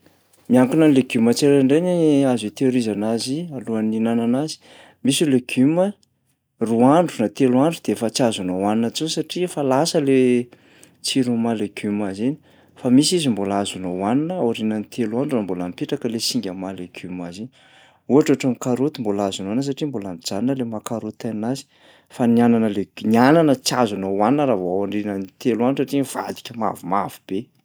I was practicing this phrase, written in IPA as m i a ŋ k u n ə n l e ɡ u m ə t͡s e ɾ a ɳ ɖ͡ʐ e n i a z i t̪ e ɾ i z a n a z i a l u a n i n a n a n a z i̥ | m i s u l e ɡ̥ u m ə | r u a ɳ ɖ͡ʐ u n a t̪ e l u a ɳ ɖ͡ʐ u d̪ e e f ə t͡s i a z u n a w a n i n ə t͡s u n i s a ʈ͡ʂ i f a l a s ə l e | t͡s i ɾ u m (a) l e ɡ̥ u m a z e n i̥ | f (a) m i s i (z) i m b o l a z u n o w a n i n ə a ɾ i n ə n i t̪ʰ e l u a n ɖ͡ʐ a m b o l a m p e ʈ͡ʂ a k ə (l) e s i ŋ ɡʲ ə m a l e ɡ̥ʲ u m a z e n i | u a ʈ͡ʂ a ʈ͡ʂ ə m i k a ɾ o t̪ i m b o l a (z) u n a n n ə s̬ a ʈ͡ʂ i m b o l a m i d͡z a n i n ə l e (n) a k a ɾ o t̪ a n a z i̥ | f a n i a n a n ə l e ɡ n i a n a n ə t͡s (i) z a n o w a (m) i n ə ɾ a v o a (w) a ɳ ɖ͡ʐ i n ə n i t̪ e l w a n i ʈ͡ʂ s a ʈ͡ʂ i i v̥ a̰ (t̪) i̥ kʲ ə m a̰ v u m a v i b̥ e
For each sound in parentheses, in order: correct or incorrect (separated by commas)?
correct, correct, correct, correct, correct, incorrect, incorrect, incorrect, correct, incorrect